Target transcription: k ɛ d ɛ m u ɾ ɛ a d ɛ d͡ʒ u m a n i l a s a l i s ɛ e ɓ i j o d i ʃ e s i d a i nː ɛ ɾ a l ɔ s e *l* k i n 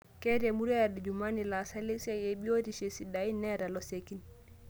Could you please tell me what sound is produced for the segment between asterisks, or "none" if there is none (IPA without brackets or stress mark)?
none